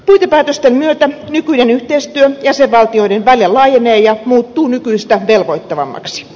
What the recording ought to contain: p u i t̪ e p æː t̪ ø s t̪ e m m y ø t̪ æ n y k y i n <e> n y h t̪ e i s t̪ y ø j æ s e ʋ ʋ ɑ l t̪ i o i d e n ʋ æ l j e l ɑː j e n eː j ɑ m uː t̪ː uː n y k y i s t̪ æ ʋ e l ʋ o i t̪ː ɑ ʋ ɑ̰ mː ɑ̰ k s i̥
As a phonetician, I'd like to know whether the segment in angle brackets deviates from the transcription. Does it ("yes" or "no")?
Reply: no